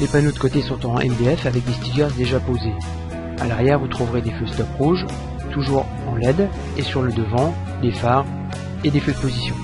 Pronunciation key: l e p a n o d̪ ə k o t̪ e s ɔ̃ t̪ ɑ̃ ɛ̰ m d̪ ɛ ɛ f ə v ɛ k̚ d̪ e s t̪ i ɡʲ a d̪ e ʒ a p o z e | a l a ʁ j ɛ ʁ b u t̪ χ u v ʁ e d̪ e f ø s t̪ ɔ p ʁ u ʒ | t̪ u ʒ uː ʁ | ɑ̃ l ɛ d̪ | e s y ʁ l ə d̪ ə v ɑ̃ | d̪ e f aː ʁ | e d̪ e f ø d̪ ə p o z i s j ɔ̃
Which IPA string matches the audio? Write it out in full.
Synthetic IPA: l e p a n o d̪ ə k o t̪ e s ɔ̃ t̪ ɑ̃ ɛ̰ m d̪ e ɛ f a v ɛ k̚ d̪ e s t̪ i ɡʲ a d̪ e ʒ a p o z e | a l a ʁ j ɛ ʁ v u t̪ χ u v ʁ e d̪ e f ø s t̪ ɔ p ʁ u ʒ | t̪ u ʒ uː ʁ | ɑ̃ l ɛ d̪ | e s y ʁ l ə d̪ ə v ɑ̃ | d̪ e f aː ʁ | e d̪ e f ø d̪ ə p o z i s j ɔ̃